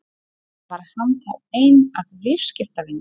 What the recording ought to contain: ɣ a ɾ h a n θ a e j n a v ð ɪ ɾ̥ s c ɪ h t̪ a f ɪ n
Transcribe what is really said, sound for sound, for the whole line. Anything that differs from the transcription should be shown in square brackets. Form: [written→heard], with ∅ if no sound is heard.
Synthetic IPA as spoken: [ɣ→v] a ɾ h a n θ a e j n a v [ð→v] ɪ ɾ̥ s c ɪ [h→f] t̪ a [f→v] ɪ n